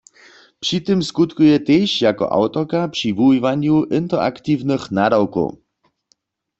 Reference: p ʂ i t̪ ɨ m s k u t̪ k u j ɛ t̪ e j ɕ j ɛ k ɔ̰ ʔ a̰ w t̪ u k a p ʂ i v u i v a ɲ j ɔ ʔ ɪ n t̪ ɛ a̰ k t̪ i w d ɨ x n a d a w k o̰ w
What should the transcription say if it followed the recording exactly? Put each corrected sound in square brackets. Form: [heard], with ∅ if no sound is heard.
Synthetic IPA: p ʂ i t̪ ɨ m s k u t̪ k u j ɛ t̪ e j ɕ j [a] k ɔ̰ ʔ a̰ w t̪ [ɔ] k a p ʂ i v u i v a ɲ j [u] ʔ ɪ n t̪ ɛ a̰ k t̪ i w [n] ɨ x n a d a w k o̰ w